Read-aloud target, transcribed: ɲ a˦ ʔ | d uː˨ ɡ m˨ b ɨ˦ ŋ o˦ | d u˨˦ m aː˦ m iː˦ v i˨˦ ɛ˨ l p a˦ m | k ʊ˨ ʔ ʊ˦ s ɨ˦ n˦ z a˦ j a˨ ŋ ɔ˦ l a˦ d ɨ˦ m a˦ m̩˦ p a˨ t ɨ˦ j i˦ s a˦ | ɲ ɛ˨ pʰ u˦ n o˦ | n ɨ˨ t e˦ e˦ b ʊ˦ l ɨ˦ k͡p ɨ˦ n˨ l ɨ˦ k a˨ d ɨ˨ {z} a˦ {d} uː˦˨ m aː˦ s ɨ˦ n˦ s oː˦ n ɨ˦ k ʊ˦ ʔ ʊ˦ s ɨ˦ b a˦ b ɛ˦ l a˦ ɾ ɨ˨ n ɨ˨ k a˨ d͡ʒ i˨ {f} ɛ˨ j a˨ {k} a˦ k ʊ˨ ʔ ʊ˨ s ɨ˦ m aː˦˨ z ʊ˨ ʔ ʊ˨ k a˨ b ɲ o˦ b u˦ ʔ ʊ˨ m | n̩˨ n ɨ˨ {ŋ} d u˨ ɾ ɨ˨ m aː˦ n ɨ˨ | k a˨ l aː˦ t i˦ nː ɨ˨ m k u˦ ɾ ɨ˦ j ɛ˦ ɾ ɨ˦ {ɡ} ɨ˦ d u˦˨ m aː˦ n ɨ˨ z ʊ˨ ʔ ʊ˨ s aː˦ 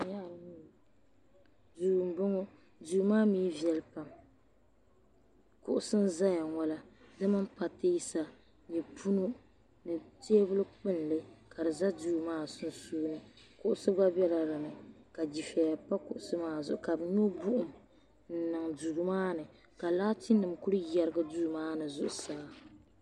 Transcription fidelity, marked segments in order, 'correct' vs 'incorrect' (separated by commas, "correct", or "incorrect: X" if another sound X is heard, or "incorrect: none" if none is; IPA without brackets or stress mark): correct, correct, correct, incorrect: p, correct, correct